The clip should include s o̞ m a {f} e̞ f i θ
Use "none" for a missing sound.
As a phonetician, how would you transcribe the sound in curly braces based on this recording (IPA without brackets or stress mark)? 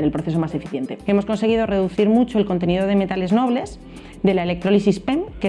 s